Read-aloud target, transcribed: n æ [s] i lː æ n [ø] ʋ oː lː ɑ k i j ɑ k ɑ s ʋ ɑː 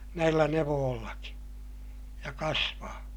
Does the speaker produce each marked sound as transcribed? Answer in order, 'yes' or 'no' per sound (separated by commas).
no, no